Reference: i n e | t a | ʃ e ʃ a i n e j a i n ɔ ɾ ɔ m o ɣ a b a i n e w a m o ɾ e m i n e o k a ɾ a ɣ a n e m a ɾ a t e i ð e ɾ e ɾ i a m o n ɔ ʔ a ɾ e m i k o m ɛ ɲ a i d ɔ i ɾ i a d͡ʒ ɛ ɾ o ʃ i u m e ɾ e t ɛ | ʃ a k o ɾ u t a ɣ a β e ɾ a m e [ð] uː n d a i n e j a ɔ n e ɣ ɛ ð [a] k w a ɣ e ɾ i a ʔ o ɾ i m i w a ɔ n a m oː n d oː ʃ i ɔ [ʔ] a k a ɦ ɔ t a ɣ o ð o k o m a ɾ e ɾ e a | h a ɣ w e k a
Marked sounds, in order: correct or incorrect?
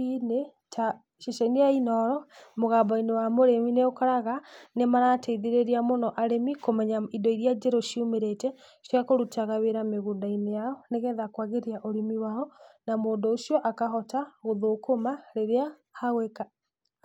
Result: incorrect: ɣ, correct, correct

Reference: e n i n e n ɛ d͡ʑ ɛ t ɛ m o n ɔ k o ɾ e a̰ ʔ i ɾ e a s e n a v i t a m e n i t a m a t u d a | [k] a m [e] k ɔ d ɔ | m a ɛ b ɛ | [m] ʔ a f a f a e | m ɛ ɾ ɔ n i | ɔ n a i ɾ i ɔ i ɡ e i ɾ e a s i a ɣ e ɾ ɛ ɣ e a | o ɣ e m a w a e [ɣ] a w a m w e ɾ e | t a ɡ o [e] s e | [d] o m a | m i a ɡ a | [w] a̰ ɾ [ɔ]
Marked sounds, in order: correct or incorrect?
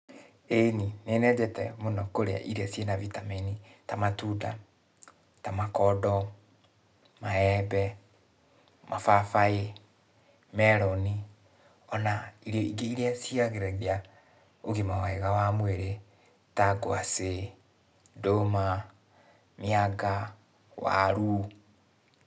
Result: incorrect: t, incorrect: a, correct, correct, incorrect: a, correct, correct, incorrect: u

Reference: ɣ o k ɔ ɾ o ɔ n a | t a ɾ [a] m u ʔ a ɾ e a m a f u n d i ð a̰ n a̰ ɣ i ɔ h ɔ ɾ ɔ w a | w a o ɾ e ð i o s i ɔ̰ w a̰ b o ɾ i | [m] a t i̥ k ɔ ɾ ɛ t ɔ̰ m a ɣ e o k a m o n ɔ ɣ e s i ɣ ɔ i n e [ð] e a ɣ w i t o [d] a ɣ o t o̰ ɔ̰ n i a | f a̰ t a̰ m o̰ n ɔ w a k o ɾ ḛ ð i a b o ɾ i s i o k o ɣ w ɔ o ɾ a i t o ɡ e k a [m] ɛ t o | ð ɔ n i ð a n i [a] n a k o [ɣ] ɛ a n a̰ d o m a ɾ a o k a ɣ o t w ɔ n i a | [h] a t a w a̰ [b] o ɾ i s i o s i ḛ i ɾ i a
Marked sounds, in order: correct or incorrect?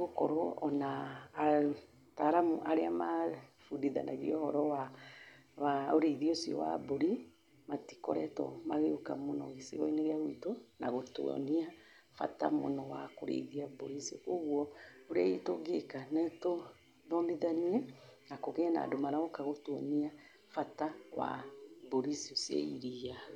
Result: correct, correct, incorrect: ɣ, incorrect: n, incorrect: n, incorrect: ɛ, correct, incorrect: f, correct

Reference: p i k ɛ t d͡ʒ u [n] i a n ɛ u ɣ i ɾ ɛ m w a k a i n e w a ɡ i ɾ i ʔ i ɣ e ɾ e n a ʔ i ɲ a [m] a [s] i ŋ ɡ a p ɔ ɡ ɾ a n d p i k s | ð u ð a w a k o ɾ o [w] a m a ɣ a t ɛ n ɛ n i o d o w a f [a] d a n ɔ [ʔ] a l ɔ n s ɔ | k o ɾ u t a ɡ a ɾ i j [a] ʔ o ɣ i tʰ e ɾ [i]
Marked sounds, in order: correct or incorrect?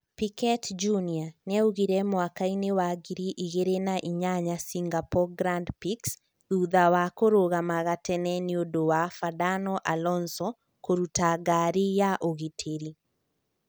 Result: correct, incorrect: ɲ, correct, incorrect: ɣ, correct, correct, correct, correct

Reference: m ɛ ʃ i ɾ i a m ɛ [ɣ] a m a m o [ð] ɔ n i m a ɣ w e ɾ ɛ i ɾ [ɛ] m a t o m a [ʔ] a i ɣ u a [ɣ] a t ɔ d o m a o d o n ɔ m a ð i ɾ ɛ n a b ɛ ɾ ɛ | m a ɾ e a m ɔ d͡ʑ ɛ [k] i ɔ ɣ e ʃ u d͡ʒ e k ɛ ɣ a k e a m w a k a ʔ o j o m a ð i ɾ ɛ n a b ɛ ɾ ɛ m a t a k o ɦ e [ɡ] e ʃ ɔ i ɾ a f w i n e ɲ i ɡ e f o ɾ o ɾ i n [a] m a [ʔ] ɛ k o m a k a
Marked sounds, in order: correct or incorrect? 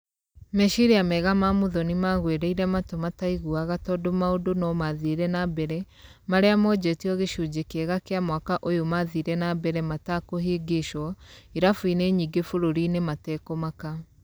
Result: correct, correct, correct, incorrect: t, correct, incorrect: t, correct, incorrect: e, incorrect: t

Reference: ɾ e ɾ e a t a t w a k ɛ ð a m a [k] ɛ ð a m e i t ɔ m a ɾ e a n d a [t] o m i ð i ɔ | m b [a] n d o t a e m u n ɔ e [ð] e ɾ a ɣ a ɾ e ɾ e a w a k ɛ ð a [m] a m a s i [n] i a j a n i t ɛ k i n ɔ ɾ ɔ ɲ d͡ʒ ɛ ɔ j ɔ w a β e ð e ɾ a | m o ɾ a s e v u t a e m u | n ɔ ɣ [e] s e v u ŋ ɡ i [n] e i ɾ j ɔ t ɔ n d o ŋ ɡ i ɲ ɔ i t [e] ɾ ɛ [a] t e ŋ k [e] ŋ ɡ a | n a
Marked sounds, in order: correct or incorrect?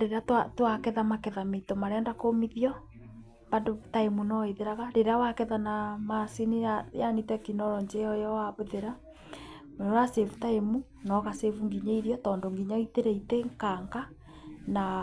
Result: correct, incorrect: k, correct, correct, incorrect: n, correct, incorrect: a, incorrect: ɲ, correct, incorrect: i, incorrect: a

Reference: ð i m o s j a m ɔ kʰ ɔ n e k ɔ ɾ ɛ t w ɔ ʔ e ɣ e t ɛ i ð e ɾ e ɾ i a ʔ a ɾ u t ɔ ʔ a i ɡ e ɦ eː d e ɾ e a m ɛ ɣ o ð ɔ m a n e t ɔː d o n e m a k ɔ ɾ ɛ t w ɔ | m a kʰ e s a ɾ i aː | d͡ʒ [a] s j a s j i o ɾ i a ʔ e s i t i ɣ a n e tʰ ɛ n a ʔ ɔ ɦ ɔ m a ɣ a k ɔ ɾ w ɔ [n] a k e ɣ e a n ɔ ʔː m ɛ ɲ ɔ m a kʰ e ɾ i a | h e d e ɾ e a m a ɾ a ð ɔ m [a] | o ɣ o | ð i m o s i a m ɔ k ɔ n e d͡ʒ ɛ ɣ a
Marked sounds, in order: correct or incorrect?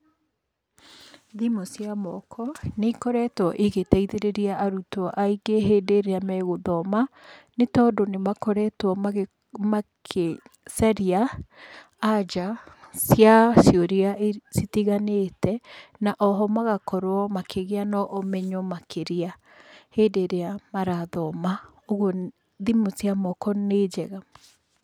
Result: correct, incorrect: m, correct

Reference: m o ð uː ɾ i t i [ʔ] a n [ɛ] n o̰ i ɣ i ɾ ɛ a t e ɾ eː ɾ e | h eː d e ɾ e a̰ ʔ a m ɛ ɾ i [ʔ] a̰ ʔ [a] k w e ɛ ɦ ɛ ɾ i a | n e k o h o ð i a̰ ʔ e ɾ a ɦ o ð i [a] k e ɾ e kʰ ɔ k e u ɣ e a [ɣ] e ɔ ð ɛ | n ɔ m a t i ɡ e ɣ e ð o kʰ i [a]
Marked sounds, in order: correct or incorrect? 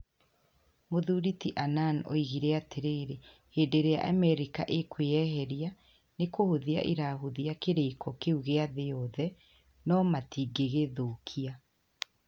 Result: correct, incorrect: a, incorrect: k, incorrect: e, correct, incorrect: ð, correct

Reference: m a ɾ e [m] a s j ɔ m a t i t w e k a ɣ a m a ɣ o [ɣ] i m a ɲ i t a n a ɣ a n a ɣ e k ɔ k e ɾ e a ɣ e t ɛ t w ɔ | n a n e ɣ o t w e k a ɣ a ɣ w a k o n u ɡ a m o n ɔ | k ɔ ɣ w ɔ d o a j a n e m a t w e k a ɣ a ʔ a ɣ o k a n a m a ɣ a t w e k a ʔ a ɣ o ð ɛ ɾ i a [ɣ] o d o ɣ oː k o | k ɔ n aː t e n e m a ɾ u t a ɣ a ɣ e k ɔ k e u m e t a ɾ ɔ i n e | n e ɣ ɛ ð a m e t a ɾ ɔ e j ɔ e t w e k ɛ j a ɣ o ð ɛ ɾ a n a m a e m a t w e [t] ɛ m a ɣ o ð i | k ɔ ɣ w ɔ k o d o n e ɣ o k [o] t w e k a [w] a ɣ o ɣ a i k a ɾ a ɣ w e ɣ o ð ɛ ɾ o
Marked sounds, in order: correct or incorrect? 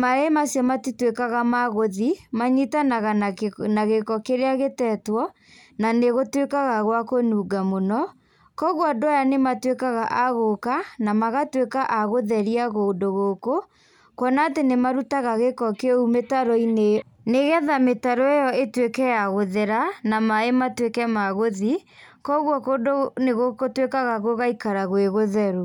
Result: correct, incorrect: ð, correct, incorrect: k, correct, incorrect: ɣ

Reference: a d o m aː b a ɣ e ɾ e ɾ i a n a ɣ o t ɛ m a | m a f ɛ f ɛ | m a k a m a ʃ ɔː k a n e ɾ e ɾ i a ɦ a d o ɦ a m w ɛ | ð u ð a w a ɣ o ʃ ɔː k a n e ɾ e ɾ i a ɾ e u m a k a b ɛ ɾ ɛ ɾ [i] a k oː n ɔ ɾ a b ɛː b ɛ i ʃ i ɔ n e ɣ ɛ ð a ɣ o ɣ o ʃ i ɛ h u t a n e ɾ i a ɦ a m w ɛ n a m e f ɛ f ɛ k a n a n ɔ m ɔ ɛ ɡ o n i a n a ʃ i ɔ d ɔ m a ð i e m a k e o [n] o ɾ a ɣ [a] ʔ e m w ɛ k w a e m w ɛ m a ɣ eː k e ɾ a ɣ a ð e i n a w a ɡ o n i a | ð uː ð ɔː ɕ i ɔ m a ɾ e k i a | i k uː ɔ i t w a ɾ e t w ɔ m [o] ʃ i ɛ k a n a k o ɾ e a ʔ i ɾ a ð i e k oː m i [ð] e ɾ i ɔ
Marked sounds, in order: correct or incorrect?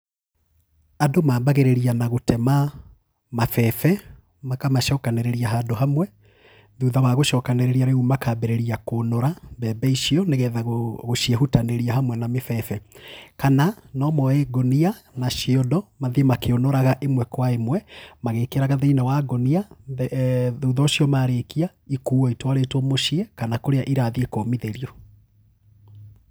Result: correct, correct, correct, correct, correct

